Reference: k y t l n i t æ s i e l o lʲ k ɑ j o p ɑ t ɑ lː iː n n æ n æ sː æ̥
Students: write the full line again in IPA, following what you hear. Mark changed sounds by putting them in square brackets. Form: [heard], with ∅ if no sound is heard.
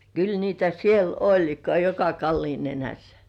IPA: k y [∅] l n [iː] t æ s i e l o lʲ k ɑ j o [k] ɑ [k] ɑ lː iː n n [e] n æ sː æ̥